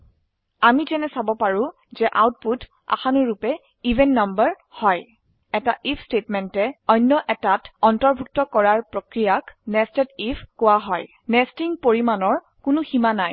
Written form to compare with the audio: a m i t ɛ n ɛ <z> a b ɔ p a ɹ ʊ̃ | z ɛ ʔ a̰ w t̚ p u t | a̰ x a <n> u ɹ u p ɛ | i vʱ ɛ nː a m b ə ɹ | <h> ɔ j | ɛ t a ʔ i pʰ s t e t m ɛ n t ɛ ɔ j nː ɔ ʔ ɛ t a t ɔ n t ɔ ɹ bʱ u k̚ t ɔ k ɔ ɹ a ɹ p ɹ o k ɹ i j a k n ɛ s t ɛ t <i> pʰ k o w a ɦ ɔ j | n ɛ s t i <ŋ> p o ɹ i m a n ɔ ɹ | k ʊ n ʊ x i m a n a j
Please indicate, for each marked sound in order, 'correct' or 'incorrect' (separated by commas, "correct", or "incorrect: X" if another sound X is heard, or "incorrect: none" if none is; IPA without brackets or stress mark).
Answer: incorrect: s, correct, correct, correct, correct